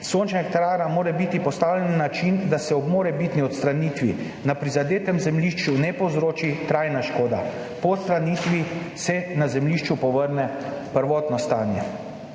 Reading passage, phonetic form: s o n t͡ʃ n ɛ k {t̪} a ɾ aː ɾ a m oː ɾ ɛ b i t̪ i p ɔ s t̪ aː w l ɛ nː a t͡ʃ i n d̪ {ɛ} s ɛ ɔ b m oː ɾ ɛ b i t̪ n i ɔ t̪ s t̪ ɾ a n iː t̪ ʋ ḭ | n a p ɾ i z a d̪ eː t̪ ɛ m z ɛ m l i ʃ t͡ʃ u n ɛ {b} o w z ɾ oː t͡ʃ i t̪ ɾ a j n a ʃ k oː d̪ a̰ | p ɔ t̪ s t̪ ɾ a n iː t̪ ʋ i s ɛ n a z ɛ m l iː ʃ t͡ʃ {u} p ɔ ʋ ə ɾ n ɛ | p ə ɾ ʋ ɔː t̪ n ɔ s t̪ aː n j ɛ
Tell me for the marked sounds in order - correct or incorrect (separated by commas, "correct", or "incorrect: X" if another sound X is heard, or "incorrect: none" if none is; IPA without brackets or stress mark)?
correct, incorrect: a, incorrect: p, correct